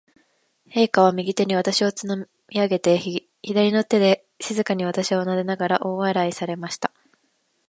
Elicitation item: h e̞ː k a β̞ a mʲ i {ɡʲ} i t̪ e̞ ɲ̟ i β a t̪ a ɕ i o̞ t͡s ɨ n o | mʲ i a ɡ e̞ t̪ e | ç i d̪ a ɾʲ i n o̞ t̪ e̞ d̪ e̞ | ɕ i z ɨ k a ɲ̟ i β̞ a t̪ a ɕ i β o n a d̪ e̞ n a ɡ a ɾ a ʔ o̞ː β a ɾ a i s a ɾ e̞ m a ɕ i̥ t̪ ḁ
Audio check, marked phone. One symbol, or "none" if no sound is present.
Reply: ɡʲ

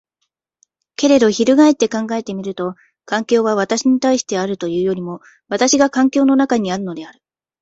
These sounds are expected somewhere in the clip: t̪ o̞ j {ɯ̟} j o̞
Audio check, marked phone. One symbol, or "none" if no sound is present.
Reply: ɯ̟ː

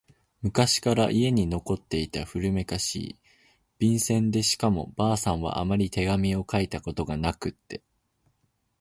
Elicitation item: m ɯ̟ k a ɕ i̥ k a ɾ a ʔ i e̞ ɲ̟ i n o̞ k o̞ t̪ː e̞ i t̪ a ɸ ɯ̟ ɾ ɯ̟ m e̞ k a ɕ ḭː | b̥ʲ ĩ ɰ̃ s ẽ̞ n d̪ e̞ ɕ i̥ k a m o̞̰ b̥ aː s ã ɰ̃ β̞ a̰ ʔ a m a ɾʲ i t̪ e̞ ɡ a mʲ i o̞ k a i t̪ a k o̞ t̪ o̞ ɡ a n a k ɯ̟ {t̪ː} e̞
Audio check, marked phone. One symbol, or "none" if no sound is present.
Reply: t̪ː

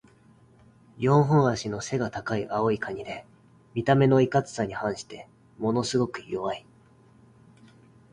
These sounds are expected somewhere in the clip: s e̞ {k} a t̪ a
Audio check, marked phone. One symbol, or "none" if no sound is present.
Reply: ɡ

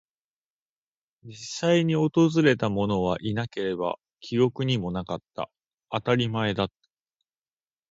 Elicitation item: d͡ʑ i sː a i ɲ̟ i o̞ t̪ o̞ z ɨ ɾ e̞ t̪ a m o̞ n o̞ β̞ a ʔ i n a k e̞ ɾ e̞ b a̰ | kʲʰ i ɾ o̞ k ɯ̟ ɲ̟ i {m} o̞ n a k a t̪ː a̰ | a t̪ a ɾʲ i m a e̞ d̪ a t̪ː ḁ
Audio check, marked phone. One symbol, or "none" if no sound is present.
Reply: m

